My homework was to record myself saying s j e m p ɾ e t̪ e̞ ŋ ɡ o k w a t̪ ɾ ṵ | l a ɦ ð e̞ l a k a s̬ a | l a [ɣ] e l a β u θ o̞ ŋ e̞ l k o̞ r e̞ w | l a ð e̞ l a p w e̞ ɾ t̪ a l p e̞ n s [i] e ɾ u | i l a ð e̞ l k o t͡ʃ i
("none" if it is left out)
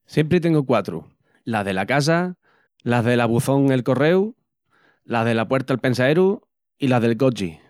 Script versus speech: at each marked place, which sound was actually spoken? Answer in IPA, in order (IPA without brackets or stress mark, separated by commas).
ð, a